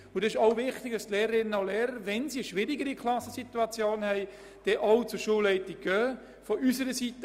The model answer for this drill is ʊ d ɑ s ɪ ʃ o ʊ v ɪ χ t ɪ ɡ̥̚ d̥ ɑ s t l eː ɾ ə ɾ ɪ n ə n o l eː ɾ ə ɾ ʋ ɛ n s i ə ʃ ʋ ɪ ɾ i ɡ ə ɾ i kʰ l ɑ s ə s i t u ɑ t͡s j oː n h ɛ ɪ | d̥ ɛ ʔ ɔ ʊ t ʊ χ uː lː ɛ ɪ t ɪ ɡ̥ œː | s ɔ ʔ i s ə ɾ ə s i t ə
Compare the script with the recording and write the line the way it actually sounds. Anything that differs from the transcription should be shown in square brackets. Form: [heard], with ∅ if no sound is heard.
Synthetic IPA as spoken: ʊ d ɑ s ɪ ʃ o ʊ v ɪ χ t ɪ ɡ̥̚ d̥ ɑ s t l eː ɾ ə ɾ ɪ n ə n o l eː ɾ ə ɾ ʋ ɛ n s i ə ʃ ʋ ɪ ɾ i ɡ ə ɾ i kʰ l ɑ s ə s i t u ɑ t͡s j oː n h ɛ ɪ | d̥ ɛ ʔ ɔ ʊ [t͡s] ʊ [ʃ] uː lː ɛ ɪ t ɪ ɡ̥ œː | [f] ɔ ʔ [y] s ə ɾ ə s i t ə